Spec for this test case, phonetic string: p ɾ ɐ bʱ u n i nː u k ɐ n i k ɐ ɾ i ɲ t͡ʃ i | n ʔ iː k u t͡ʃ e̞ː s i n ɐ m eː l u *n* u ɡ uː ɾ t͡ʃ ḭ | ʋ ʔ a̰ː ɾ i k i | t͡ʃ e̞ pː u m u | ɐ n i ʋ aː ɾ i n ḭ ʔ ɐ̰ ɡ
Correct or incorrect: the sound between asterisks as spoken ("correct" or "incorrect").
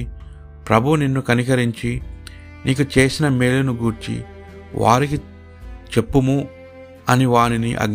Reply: correct